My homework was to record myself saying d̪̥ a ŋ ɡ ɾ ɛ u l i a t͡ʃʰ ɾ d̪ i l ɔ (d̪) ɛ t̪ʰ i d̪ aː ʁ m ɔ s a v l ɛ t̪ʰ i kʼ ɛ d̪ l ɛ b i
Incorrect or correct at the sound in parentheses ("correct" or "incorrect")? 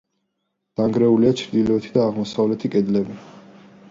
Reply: incorrect